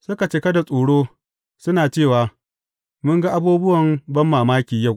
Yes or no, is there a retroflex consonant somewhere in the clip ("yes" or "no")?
yes